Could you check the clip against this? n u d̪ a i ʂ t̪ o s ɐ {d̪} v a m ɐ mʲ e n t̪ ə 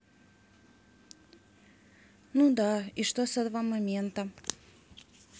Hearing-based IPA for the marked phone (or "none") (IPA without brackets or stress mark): d̪